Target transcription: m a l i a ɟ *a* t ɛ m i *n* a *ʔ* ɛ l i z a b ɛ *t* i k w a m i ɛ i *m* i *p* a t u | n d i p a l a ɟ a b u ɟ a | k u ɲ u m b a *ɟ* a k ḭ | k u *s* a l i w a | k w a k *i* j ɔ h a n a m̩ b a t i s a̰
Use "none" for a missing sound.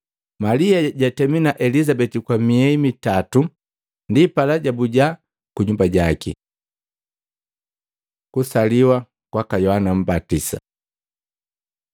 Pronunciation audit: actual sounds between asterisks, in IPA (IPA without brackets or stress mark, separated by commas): a, n, ʔ, t, m, t, ɟ, s, a